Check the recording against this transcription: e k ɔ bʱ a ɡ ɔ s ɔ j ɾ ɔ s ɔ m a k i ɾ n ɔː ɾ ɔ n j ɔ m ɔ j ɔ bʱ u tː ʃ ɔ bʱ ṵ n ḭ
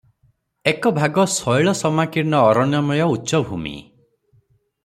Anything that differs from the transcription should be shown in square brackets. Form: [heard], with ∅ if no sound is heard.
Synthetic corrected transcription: e k ɔ bʱ a ɡ ɔ s ɔ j [ɭ] ɔ s ɔ m a k i ɾ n ɔː ɾ ɔ n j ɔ m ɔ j ɔ [∅] u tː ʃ ɔ bʱ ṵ [m] ḭ